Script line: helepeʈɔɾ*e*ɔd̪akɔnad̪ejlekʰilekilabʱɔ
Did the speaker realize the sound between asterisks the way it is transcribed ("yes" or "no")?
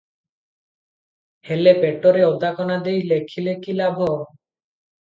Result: yes